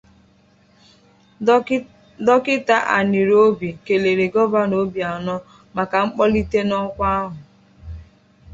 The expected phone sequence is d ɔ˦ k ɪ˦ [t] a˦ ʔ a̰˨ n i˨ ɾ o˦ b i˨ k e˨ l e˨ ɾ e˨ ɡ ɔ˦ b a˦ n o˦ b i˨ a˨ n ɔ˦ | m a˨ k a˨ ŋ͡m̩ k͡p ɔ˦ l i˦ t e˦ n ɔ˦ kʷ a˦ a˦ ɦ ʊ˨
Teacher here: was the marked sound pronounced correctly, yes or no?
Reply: yes